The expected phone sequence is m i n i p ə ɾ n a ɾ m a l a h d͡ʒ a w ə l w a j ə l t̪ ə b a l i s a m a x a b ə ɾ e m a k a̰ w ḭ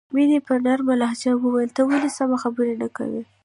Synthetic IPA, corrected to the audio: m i n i p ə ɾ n a ɾ m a l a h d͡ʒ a w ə w a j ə l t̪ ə w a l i s a m a x a b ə ɾ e n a k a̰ w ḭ